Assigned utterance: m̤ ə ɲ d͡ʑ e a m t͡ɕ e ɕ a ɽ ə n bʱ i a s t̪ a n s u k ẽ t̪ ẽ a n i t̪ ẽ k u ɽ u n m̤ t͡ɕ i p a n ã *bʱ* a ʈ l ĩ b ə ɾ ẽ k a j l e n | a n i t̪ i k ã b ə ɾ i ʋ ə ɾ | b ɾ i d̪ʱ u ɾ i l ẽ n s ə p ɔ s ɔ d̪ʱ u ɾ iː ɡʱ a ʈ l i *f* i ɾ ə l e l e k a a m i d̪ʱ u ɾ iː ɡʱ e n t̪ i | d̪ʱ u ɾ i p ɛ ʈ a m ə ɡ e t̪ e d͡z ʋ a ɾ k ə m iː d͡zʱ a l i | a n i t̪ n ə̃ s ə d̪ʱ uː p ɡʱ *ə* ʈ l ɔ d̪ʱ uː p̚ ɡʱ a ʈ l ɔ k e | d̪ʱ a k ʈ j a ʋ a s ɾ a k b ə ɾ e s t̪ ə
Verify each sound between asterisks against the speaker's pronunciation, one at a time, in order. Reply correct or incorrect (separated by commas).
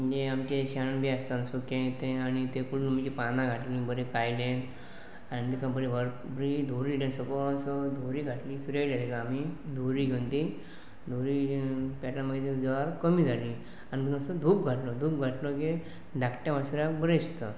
incorrect, correct, incorrect